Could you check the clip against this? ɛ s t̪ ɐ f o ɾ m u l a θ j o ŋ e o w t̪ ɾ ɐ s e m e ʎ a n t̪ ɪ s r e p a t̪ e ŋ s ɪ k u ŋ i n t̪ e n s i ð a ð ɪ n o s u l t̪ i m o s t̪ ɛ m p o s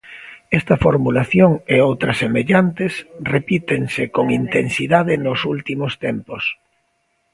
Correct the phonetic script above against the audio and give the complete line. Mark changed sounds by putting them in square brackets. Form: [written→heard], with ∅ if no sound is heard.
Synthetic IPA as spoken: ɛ s t̪ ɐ f o ɾ m u l a θ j o ŋ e o w t̪ ɾ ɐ s e m e ʎ a n t̪ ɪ s r e p [a→i] t̪ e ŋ s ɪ k [u→o] ŋ i n t̪ e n s i ð a ð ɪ n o s u l t̪ i m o s t̪ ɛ m p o s